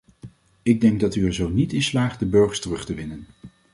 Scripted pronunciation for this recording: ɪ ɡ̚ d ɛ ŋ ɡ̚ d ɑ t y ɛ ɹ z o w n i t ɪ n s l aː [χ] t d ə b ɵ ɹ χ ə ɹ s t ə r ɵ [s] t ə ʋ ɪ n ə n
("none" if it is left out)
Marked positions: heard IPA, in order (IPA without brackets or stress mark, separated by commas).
χ, χ